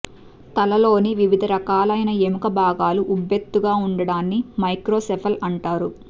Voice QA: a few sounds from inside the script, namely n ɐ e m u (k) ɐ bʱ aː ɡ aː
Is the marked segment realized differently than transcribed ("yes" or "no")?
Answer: no